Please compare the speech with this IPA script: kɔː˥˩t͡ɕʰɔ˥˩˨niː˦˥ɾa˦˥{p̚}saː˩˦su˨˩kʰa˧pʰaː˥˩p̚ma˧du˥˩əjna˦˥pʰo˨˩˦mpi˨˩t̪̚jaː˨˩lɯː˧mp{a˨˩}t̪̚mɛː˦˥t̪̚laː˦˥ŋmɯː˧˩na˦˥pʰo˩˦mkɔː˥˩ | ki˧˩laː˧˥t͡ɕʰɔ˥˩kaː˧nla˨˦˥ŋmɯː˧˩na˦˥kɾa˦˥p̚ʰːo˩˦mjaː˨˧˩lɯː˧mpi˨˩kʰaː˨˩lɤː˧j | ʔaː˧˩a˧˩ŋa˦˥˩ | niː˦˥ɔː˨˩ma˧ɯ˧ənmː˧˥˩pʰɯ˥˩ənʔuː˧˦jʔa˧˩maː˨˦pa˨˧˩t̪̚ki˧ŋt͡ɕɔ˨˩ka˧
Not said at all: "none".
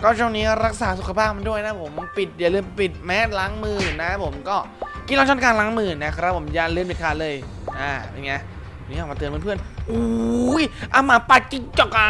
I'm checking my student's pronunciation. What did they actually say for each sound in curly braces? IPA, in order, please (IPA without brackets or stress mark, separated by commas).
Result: k̚, i˨˩